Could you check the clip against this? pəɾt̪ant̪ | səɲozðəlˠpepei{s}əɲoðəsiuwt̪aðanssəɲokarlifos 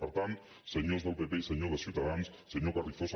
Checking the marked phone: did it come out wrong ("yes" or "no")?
no